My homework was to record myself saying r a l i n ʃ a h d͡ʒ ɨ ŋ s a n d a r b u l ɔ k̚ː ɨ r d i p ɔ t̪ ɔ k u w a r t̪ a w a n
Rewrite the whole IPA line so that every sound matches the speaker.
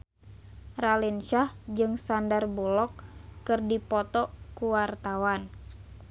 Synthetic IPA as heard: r a l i n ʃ a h d͡ʒ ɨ ŋ s a n d a r b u l ɔ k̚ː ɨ r d i p ɔ t̪ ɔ k u w a r t̪ a w a n